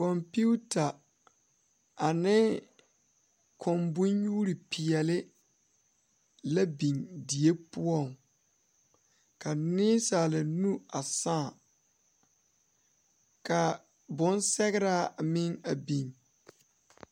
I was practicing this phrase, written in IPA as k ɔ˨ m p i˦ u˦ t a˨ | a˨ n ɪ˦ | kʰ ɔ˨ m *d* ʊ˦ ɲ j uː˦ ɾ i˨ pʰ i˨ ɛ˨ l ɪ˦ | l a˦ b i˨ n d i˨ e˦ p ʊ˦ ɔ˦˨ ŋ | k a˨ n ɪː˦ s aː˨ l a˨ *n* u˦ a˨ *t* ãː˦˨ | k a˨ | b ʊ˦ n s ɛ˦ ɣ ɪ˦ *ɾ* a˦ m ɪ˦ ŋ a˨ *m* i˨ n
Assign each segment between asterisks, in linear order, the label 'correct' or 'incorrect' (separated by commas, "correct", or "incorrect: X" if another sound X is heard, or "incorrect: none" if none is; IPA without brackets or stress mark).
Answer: incorrect: b, correct, incorrect: s, correct, incorrect: b